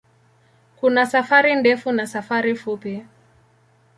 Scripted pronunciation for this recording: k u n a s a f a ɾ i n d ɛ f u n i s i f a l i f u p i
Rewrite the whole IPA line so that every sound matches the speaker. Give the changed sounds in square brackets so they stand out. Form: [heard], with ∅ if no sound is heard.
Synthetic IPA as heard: k u n a s a f a ɾ i n d ɛ f u n [a] s [a] f a [ɾ] i f u p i